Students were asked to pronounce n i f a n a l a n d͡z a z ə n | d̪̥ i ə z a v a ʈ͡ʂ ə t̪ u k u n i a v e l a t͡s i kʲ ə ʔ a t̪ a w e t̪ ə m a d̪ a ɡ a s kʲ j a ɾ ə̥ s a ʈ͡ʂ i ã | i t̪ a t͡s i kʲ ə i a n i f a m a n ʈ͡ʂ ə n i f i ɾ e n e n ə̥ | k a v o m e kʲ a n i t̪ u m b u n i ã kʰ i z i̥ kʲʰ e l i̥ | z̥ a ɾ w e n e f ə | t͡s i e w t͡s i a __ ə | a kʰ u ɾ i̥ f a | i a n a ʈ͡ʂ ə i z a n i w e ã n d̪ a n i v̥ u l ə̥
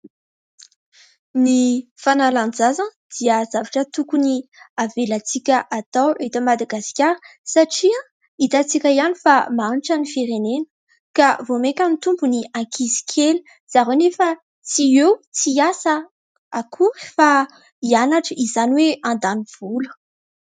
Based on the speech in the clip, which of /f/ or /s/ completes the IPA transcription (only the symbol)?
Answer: s